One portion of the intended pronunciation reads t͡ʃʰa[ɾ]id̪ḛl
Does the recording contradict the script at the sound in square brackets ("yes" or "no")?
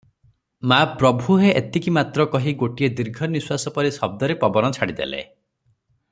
yes